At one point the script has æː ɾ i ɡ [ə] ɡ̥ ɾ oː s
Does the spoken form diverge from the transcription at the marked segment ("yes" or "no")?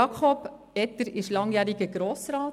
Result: no